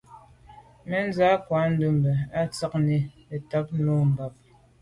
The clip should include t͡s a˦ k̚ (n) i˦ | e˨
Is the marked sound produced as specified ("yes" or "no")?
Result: yes